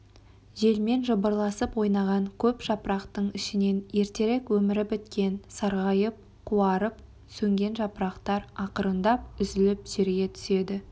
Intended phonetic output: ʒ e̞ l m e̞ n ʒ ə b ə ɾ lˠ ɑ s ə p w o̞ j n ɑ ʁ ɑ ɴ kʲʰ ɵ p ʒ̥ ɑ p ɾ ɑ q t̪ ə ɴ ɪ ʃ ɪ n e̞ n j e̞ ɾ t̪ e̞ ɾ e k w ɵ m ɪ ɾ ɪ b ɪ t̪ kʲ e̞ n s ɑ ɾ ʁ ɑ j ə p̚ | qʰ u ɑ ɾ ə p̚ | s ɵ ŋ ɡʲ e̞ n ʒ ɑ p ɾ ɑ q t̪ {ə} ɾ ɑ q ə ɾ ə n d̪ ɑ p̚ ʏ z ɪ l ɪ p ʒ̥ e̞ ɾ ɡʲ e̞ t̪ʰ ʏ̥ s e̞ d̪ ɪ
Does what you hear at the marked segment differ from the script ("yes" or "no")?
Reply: yes